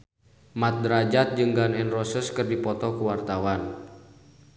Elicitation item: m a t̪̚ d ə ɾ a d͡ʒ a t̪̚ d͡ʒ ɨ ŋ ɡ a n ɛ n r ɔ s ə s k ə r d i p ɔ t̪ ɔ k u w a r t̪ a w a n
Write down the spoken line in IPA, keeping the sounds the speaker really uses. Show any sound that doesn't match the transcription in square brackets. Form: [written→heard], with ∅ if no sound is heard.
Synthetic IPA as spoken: m a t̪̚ d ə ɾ a d͡ʒ a t̪̚ d͡ʒ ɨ ŋ ɡ a n ɛ n r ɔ s ə s k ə r d i p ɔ t̪ ɔ k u w a r t̪ a w a n